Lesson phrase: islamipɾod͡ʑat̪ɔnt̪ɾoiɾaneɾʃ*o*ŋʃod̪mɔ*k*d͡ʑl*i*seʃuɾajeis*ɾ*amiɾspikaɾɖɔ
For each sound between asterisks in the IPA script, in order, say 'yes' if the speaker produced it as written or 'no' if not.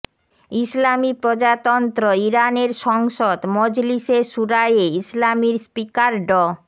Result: no, no, yes, no

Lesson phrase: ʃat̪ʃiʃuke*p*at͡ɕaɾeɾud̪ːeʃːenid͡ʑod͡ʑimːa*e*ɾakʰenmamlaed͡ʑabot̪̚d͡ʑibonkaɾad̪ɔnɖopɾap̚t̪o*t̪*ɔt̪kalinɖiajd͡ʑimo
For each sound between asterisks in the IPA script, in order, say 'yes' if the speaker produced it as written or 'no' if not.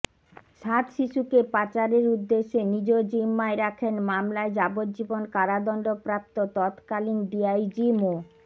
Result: yes, yes, yes

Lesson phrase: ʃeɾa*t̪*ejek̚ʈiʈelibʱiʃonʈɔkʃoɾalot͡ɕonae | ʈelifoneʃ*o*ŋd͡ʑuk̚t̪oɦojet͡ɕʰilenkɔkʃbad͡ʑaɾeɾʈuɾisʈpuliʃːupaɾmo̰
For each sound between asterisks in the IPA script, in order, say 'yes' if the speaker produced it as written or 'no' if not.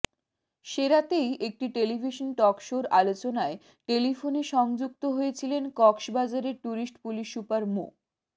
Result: yes, no

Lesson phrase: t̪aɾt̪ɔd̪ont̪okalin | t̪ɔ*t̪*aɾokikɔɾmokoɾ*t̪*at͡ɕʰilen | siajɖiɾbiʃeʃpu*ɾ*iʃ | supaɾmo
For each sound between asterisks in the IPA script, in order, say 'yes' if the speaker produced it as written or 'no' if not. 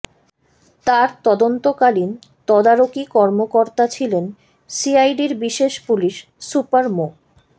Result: no, yes, no

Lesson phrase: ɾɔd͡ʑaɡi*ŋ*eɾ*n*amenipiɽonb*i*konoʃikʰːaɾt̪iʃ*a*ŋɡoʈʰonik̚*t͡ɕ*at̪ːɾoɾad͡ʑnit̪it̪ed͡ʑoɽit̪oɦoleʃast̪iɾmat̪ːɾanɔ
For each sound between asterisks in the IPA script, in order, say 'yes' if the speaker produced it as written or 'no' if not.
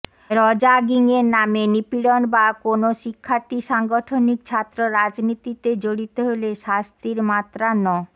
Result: yes, yes, no, yes, no

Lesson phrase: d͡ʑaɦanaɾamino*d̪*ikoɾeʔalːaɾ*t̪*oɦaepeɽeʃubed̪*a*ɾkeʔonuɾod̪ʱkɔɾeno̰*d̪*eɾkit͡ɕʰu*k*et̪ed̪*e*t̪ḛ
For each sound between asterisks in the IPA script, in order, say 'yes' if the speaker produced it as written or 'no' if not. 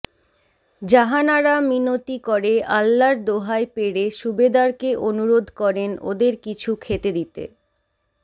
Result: no, no, yes, yes, no, no

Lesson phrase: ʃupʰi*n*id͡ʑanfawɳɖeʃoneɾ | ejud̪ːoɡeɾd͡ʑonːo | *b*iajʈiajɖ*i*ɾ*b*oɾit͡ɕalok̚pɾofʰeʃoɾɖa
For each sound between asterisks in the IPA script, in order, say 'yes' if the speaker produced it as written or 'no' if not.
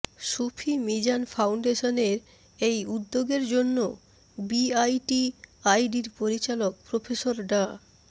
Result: no, yes, yes, no

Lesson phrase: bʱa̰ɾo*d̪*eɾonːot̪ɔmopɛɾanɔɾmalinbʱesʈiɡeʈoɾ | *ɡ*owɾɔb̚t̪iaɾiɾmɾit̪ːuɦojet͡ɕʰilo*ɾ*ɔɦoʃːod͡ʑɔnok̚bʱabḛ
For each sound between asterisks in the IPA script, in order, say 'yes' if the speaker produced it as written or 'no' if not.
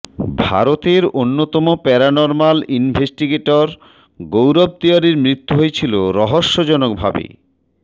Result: no, yes, yes

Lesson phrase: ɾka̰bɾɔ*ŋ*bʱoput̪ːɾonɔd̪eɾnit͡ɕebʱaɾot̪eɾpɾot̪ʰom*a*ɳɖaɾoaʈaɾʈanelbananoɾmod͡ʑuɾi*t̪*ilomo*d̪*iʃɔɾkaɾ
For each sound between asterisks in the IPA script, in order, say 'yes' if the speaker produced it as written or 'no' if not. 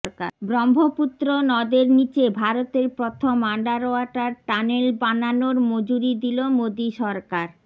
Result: no, yes, no, yes

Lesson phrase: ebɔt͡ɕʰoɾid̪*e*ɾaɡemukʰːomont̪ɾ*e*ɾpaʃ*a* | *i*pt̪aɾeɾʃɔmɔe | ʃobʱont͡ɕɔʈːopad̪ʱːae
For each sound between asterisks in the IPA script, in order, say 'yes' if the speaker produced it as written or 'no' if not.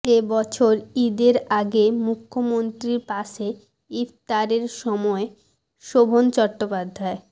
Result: yes, no, no, yes

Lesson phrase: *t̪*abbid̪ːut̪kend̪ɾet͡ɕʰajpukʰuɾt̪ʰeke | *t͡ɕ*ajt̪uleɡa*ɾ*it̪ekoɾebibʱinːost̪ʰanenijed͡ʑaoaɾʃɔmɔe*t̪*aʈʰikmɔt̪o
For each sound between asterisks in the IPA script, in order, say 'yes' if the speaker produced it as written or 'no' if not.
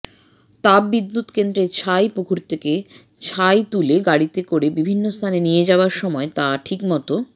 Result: yes, no, no, yes

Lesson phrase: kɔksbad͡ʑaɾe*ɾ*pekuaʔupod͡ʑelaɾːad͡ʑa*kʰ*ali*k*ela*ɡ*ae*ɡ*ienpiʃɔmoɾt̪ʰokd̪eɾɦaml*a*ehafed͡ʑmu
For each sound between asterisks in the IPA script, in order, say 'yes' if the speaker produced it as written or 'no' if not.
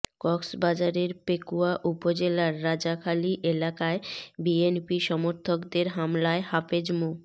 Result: yes, yes, no, no, no, yes

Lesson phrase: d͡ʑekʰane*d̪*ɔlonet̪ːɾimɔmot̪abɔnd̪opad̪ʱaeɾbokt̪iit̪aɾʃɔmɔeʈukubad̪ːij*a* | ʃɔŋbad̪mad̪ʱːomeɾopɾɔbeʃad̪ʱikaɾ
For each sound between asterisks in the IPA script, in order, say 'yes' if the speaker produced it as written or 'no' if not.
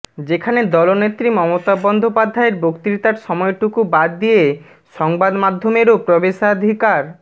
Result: yes, no

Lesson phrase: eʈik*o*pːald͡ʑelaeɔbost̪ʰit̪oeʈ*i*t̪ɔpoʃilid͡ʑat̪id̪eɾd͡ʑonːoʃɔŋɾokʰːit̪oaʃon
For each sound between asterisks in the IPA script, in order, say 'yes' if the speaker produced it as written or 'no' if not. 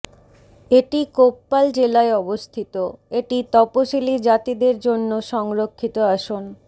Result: yes, yes

